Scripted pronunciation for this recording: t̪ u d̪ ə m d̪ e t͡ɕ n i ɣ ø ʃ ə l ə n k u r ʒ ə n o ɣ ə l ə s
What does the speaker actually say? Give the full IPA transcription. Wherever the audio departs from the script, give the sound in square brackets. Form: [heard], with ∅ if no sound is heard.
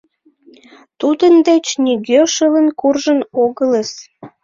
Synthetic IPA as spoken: t̪ u d̪ ə [n] d̪ e t͡ɕ n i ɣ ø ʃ ə l ə n k u r ʒ ə n o ɣ ə l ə s